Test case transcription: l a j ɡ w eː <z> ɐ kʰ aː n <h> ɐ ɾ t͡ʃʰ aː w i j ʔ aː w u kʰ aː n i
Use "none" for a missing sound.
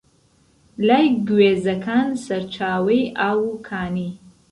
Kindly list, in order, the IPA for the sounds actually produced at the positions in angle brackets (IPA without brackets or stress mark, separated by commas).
z, s